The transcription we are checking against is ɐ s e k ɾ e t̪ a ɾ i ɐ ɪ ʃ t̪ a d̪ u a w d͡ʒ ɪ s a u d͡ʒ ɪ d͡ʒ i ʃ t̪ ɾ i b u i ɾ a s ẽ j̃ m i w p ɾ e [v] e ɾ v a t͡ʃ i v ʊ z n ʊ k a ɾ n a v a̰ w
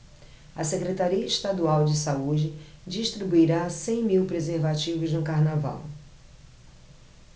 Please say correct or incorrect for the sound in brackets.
incorrect